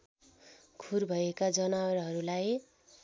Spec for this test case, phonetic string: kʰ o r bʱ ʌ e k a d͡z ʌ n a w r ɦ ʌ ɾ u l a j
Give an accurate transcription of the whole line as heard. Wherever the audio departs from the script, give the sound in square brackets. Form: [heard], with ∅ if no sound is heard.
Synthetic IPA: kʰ [u] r bʱ ʌ e k a d͡z ʌ n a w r ɦ ʌ ɾ u l a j